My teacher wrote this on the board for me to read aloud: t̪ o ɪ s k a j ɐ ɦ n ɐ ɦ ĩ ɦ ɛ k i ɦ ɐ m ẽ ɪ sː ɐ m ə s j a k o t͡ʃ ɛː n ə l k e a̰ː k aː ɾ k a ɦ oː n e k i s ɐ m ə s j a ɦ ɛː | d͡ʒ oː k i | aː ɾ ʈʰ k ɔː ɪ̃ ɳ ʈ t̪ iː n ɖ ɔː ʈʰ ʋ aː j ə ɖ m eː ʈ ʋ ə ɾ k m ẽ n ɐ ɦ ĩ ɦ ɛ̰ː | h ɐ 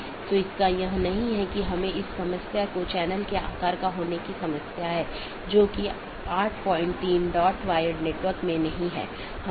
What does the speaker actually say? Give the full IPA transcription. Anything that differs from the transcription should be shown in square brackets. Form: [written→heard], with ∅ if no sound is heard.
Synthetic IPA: t̪ o ɪ s k a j ɐ ɦ n ɐ ɦ ĩ ɦ ɛ k i ɦ ɐ m ẽ ɪ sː ɐ m ə s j a k o t͡ʃ ɛː n ə l k e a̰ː k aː ɾ k a ɦ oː n e k i s ɐ m ə s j a ɦ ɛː | d͡ʒ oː k i | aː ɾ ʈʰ [k→p] ɔː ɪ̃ ɳ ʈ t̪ iː n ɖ ɔː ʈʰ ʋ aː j ə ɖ [m→n] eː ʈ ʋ ə ɾ k m ẽ n ɐ ɦ ĩ ɦ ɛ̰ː | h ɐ